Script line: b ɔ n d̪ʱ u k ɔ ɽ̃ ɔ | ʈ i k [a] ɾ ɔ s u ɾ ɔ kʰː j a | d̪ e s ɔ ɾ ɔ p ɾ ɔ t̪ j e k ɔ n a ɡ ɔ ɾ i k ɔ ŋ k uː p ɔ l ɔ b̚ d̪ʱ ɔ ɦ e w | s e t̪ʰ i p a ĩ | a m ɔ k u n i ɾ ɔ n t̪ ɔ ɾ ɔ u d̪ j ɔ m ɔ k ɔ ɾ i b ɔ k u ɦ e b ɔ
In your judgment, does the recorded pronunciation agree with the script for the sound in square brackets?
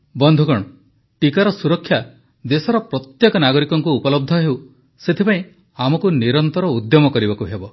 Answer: yes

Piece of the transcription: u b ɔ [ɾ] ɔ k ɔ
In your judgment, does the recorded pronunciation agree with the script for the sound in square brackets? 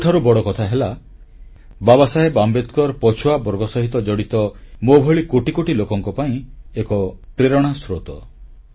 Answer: no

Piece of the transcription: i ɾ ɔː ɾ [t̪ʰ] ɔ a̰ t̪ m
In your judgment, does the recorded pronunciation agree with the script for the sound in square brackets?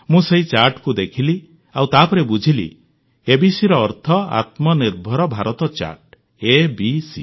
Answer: yes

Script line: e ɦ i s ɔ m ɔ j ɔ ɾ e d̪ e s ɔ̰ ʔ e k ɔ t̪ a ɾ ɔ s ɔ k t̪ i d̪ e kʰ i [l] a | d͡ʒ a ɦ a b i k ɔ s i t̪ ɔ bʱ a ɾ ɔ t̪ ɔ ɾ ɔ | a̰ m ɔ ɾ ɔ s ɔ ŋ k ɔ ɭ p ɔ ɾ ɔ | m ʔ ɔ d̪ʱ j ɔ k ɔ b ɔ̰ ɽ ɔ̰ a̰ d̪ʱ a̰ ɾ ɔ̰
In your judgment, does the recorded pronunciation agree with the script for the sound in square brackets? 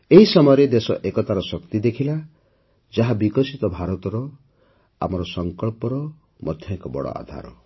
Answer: yes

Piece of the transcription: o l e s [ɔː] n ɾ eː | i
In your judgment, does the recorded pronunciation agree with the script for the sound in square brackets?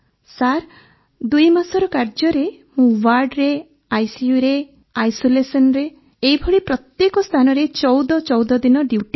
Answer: no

